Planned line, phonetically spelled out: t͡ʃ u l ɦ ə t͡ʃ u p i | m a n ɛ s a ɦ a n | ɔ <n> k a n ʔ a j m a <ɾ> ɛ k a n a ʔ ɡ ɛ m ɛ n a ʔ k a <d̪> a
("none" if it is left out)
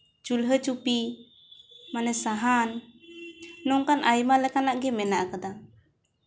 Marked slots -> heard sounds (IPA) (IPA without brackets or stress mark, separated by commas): ŋ, l, d̪